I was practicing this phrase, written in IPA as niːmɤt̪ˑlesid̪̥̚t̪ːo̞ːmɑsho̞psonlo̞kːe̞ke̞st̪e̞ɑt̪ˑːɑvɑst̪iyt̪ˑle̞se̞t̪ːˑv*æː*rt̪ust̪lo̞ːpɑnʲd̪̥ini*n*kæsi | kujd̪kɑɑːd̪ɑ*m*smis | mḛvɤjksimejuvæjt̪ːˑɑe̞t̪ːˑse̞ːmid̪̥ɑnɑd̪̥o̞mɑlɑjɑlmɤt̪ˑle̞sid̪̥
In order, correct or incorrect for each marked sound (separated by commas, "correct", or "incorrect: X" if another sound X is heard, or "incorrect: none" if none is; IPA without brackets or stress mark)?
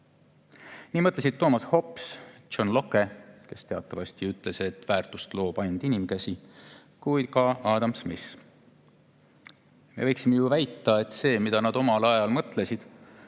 correct, incorrect: m, correct